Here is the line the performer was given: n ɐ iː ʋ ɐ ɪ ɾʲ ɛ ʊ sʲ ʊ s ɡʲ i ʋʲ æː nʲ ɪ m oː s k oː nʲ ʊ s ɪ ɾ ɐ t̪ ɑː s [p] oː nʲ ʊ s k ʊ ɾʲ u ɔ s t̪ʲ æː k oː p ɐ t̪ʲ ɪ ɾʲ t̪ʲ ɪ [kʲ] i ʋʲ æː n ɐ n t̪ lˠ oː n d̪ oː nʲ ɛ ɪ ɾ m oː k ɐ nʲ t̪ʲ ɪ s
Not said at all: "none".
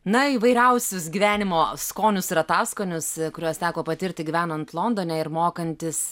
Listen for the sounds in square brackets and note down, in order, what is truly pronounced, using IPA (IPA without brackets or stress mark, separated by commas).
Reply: k, ɡʲ